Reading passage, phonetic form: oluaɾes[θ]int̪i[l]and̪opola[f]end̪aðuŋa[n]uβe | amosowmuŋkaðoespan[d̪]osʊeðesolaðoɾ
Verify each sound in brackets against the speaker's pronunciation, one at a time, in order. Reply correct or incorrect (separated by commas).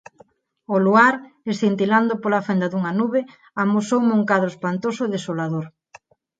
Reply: correct, correct, correct, correct, incorrect